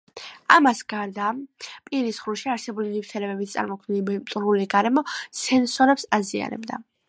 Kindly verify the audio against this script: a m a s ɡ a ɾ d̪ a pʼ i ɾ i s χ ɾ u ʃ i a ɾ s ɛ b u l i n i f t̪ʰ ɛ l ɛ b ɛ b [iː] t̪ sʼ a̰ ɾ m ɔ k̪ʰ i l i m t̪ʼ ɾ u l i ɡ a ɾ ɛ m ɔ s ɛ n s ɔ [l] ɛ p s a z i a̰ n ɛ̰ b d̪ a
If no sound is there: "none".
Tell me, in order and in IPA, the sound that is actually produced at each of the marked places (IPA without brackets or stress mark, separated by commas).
i, ɾ